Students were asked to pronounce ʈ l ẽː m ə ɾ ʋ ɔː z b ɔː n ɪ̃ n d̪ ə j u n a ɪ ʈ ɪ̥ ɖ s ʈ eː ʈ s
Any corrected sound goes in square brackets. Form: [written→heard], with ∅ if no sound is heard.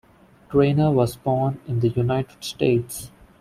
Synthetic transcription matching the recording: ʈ [l→ɾ] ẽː [m→n] ə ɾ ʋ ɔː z b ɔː n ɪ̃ n d̪ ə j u n a ɪ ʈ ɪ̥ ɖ s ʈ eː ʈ s